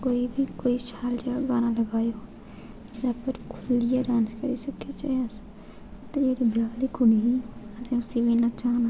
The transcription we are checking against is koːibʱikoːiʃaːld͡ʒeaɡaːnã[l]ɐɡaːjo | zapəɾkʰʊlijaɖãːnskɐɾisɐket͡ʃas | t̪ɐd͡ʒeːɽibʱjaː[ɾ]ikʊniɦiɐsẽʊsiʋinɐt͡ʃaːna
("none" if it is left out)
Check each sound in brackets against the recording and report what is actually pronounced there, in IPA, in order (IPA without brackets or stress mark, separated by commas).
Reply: l, l